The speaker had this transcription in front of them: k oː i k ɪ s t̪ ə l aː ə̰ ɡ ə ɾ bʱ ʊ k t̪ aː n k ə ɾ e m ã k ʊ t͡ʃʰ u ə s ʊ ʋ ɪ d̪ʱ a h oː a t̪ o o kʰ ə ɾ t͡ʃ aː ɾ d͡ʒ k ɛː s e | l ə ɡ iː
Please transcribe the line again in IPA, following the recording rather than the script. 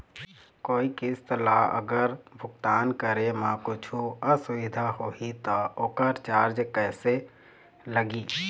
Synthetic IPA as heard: k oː i k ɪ s t̪ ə l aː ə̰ ɡ ə ɾ bʱ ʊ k t̪ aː n k ə ɾ e m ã k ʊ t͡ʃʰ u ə s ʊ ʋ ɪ d̪ʱ a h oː i t̪ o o k ə ɾ t͡ʃ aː ɾ d͡ʒ k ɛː s e | l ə ɡ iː